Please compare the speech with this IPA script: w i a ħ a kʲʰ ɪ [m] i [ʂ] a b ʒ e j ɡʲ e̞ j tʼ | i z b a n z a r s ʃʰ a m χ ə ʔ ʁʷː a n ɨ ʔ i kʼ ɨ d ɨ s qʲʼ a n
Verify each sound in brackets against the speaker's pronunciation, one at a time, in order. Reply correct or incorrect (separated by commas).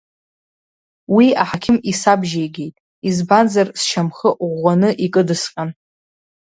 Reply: correct, incorrect